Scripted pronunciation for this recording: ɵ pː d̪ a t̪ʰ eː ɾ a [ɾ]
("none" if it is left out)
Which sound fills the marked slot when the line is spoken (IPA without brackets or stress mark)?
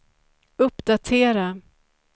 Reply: none